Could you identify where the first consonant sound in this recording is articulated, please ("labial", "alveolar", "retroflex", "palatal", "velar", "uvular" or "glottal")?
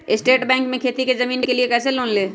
alveolar